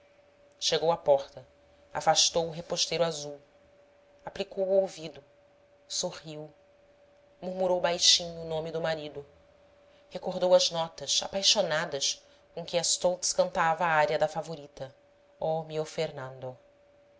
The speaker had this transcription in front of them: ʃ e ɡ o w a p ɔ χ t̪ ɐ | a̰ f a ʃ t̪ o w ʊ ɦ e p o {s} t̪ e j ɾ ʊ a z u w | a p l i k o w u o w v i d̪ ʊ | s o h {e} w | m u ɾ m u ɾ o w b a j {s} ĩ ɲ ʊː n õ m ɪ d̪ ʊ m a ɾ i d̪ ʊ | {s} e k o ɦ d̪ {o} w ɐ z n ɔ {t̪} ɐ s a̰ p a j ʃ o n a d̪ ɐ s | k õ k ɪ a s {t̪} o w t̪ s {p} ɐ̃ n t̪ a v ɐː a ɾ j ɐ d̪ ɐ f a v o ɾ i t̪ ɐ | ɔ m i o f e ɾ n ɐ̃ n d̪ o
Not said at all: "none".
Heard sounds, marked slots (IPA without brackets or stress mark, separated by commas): ʃ, i, ʃ, h, o, t̪, t̪, k